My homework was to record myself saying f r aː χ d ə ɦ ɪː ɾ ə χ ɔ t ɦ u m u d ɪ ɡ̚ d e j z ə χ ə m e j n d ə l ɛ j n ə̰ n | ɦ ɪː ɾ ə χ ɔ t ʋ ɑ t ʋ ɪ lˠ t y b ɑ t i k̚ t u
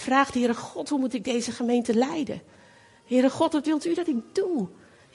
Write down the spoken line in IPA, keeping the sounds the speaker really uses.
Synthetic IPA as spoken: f r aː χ d ə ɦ ɪː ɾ ə χ ɔ t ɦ u m u t ɪ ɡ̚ d e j z ə χ ə m e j n t ə l ɛ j d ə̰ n | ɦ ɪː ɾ ə χ ɔ t ʋ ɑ t ʋ ɪ lˠ t y d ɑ t ɪ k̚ d u